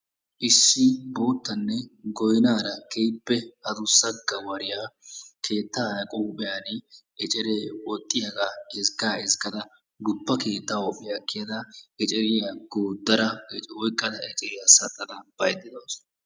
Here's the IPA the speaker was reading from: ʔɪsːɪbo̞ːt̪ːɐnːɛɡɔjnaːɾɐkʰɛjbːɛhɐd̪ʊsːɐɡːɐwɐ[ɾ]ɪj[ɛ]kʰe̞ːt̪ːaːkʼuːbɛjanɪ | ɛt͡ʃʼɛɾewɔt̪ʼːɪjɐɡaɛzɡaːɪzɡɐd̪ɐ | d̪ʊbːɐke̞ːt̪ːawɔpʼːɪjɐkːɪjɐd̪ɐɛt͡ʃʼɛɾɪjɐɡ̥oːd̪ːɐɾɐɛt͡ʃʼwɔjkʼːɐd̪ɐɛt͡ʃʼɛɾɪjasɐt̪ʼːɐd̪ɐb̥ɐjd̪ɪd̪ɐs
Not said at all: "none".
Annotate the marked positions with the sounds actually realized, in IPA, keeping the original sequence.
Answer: ɾ, a

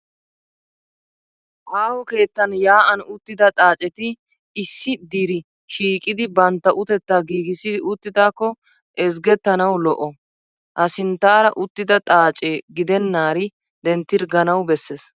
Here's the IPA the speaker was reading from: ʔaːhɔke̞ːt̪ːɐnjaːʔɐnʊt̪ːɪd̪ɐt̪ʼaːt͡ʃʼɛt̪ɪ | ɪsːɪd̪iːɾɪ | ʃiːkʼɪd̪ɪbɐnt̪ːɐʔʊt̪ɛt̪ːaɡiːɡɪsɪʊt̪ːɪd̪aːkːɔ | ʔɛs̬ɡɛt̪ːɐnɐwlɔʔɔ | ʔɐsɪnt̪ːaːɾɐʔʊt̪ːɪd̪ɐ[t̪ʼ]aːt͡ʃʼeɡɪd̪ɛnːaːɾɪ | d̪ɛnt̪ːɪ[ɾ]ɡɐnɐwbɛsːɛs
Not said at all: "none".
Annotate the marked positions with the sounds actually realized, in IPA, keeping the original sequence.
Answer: t̪ʼ, ɾ

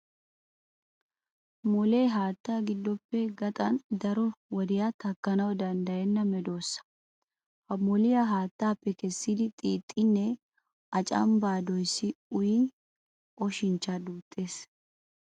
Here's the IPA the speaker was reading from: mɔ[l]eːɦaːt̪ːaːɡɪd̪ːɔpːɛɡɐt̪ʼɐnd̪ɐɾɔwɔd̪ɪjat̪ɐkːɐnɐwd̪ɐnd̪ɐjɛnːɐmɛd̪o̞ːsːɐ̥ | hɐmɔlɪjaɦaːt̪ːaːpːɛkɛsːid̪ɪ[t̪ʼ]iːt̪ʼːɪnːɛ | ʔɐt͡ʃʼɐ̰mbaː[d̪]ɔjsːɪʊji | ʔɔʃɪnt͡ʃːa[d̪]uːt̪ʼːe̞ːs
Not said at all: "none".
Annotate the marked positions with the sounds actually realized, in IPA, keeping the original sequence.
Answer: l, t̪ʼ, d̪, d̪

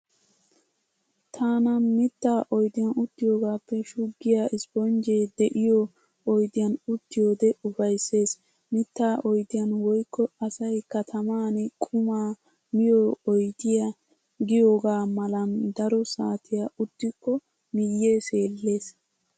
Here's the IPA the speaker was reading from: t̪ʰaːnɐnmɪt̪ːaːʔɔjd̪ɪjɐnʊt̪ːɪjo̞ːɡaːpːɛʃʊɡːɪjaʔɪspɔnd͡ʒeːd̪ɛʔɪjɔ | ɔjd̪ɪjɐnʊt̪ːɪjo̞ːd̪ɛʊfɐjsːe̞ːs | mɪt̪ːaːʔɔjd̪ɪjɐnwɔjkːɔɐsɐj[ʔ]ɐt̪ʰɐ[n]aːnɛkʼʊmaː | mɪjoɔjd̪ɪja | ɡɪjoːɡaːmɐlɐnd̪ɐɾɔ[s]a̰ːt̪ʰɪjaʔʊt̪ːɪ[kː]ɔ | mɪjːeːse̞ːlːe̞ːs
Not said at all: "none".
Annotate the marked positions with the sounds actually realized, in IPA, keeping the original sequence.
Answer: k, m, s, kː

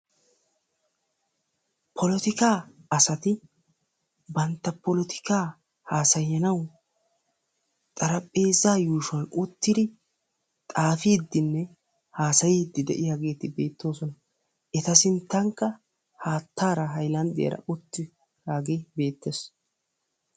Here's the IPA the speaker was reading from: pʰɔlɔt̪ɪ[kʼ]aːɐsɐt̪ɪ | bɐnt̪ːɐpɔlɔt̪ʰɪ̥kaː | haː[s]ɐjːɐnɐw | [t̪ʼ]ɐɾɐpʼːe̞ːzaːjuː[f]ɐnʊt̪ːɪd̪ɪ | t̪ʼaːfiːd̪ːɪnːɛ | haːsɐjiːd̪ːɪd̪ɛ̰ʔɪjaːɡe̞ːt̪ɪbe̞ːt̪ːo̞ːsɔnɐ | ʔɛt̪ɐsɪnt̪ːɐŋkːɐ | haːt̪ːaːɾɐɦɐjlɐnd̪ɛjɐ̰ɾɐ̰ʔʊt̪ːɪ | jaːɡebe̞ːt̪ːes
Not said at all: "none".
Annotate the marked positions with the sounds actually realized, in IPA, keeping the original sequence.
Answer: k, s, t̪ʼ, ʃ

